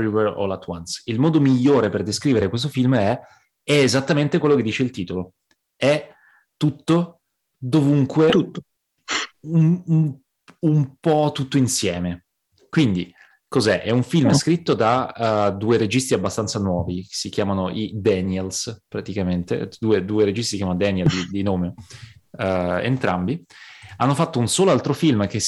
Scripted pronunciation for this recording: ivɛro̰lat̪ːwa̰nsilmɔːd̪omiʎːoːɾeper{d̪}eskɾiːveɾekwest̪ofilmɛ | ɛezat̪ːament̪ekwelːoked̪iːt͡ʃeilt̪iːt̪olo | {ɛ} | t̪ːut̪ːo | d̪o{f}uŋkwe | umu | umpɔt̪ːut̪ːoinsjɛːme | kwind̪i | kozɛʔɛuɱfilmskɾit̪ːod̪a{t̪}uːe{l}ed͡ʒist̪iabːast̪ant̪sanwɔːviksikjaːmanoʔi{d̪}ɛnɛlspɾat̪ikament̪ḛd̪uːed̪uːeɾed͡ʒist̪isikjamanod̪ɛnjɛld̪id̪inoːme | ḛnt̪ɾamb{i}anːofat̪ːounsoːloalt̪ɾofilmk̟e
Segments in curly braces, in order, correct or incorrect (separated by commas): correct, correct, incorrect, incorrect, incorrect, correct, correct